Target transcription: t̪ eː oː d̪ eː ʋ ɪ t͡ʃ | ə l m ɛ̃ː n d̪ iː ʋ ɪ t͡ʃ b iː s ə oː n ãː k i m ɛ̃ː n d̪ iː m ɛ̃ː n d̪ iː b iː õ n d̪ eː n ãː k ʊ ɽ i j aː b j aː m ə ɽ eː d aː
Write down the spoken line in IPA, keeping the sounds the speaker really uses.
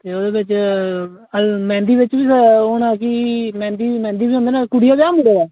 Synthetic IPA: t̪ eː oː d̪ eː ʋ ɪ t͡ʃ | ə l m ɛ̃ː n d̪ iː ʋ ɪ t͡ʃ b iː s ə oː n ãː k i m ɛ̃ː n d̪ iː m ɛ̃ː n d̪ iː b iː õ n d̪ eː n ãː k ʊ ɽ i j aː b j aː m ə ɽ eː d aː